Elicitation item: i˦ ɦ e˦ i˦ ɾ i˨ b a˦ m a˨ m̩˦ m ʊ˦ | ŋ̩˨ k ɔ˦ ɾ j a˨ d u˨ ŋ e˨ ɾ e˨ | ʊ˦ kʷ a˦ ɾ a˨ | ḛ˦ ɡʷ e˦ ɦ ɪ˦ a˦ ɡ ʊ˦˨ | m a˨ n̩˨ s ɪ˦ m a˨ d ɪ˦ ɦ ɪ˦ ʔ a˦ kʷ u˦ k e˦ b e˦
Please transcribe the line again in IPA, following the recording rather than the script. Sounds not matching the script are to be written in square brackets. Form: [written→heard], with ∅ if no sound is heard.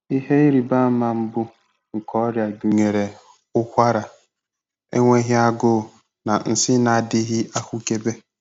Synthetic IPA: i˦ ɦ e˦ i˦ ɾ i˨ b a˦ m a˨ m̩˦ [m→b] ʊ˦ | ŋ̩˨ k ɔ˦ ɾ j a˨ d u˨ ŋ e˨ ɾ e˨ | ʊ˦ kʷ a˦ ɾ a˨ | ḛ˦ [ɡʷ→ŋʷ] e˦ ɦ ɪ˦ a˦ ɡ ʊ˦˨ | [m→n] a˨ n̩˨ s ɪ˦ [m→n] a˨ d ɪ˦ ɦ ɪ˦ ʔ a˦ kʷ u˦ k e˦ b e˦